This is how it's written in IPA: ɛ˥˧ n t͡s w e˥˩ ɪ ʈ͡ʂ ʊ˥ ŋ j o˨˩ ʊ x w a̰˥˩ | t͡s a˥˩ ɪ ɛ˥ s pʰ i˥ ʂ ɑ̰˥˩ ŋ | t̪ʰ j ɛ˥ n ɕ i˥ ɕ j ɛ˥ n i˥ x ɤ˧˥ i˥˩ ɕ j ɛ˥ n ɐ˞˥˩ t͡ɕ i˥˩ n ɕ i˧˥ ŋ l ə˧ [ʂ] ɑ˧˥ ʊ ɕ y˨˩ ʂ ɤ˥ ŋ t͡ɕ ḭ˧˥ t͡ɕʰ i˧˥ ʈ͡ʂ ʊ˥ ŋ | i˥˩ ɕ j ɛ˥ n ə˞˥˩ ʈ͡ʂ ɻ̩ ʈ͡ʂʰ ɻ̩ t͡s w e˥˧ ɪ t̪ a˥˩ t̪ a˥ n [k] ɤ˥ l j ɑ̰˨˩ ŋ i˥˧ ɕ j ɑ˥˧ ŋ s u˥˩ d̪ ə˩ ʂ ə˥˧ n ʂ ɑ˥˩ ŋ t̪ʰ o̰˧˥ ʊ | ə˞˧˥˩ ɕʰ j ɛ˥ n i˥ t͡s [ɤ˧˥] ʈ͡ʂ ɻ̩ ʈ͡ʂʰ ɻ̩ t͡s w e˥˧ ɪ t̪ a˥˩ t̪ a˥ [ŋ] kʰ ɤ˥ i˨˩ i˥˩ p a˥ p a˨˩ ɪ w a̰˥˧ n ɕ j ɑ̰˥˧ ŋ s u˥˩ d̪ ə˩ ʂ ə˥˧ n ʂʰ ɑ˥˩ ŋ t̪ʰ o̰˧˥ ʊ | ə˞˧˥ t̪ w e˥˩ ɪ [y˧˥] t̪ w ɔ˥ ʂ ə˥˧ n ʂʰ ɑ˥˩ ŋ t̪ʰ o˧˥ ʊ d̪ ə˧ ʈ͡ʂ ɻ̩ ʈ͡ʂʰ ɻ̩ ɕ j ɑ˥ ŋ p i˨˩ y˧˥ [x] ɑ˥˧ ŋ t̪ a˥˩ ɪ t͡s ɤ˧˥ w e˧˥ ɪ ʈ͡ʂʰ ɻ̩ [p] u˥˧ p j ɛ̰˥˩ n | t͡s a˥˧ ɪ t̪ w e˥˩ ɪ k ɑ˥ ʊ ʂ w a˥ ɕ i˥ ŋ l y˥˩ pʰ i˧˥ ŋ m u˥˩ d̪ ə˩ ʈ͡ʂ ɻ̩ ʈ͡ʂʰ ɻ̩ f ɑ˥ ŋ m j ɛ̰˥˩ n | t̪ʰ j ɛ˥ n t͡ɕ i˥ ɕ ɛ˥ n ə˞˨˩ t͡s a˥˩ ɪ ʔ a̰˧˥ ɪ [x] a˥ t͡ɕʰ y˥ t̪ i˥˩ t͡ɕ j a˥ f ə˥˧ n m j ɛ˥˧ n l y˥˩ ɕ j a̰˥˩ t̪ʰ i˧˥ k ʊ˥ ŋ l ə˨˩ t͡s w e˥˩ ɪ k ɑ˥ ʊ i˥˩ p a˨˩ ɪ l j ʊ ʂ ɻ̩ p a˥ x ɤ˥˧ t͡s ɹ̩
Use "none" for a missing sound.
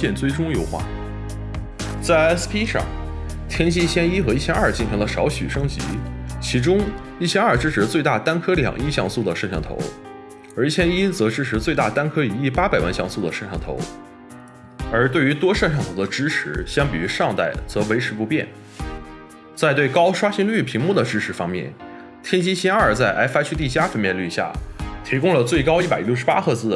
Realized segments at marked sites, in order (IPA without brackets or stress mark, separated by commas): ʂ, kʰ, ɤ˧˥, n, y˧˥, ʂ, p, f